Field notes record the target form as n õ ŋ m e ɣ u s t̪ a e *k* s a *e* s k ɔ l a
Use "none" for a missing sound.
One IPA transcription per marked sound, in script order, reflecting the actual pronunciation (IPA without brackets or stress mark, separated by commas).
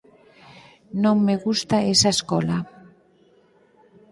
none, e